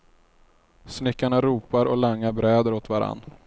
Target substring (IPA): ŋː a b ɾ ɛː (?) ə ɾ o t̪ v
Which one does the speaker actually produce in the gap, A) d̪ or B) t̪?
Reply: A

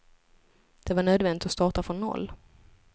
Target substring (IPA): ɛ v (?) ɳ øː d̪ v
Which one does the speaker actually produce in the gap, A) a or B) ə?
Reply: A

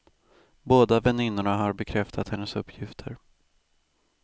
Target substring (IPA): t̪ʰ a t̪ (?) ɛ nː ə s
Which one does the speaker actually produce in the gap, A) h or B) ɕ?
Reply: A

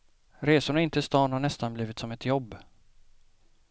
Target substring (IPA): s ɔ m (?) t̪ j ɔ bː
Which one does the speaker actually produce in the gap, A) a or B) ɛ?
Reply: B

